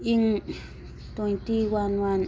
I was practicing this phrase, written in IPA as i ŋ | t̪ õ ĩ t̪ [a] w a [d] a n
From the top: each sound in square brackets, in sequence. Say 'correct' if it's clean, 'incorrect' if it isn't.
incorrect, incorrect

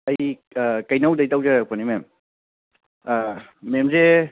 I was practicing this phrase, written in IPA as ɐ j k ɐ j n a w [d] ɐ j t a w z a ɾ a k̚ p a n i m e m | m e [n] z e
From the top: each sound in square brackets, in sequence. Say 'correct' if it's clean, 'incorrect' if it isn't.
correct, incorrect

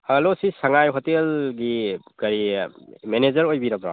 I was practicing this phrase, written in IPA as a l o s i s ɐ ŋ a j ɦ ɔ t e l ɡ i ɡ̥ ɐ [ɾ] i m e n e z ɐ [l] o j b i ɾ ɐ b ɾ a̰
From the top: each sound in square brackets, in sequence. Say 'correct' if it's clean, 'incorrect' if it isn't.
correct, incorrect

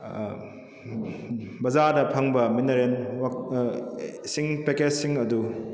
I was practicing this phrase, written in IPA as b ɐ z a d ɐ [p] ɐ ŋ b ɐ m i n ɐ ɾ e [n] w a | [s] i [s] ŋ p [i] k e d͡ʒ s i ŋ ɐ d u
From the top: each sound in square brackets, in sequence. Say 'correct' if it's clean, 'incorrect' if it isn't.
incorrect, correct, correct, incorrect, incorrect

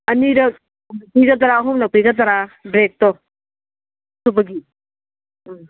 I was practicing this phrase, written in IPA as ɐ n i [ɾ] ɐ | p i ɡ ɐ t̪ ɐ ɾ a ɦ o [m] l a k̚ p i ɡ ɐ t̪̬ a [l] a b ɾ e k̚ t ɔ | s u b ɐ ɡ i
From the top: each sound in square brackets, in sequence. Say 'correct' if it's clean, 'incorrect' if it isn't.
correct, correct, incorrect

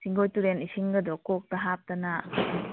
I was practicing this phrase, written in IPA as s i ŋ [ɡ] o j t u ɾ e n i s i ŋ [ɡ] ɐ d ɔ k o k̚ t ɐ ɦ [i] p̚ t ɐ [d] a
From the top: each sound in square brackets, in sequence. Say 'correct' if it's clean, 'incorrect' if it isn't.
correct, correct, incorrect, incorrect

